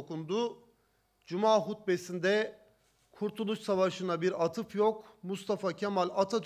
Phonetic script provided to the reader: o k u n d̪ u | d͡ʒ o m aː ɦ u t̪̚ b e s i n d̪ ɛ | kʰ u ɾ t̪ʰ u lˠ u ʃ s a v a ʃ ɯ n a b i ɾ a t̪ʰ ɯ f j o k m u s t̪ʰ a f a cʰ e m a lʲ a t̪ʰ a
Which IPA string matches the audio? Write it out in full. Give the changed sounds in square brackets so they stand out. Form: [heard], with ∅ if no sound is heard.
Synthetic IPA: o k u n d̪ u | d͡ʒ [u] m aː ɦ u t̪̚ b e s i n d̪ ɛ | kʰ u ɾ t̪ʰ u lˠ u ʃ s a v a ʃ ɯ n a b i ɾ a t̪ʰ ɯ f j o k m u s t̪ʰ a f a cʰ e m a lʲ a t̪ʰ a